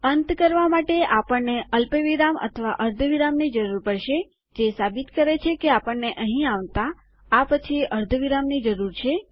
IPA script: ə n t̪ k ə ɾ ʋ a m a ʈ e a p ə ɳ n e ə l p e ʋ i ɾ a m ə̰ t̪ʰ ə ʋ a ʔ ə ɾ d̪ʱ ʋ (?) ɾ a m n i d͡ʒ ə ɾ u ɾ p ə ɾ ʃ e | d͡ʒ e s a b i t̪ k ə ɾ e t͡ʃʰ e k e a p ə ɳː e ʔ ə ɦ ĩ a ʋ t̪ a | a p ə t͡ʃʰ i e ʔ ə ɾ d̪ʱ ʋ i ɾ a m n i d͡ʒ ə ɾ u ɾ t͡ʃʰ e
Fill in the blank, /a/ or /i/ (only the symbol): i